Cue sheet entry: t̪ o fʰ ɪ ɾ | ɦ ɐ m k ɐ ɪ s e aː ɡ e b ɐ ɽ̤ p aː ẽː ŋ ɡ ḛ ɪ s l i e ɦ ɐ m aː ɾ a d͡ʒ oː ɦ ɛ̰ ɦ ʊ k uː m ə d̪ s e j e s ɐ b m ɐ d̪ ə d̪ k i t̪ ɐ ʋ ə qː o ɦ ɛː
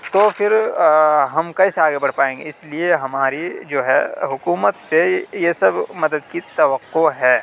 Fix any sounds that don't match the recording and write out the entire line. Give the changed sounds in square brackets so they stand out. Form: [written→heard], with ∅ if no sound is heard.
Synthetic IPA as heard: t̪ o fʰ ɪ ɾ | ɦ ɐ m k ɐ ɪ s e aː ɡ e b ɐ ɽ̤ p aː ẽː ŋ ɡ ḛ ɪ s l i e ɦ ɐ m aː ɾ [a→i] d͡ʒ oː ɦ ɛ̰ ɦ ʊ k uː m ə [d̪→t̪] s e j e s ɐ b m ɐ d̪ ə d̪ k i t̪ ɐ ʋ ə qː o ɦ ɛː